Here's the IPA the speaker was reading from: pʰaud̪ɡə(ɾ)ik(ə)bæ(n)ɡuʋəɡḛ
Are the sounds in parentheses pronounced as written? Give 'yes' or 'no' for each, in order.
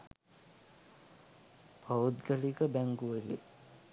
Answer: no, yes, no

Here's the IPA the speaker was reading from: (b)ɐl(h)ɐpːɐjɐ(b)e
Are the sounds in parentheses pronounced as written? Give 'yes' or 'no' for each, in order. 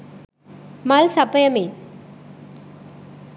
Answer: no, no, no

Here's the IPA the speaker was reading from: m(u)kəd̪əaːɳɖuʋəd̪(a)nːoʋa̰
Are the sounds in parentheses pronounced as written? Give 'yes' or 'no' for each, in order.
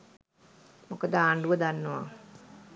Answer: no, yes

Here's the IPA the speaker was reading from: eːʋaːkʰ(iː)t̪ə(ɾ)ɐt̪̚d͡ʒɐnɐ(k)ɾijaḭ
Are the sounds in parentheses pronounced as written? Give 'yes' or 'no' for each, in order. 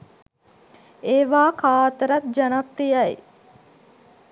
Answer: no, yes, no

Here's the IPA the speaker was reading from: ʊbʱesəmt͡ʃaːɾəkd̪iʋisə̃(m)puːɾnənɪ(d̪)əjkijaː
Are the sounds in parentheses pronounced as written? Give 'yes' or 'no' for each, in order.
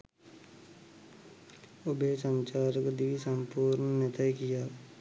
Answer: yes, no

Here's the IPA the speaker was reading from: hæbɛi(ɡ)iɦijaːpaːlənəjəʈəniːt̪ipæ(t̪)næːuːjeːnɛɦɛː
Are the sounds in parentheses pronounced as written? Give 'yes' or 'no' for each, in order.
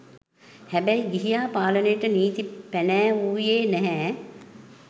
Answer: yes, no

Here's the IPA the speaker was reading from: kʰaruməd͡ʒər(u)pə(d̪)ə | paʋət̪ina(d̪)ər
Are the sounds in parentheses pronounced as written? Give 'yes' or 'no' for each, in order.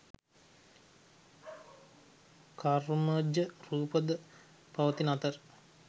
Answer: no, yes, no

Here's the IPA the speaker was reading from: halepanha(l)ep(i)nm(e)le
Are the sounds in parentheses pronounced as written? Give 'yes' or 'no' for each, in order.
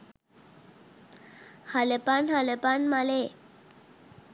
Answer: yes, no, no

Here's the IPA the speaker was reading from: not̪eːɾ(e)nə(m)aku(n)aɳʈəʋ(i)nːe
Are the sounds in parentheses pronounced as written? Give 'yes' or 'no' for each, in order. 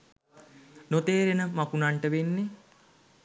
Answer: yes, yes, yes, no

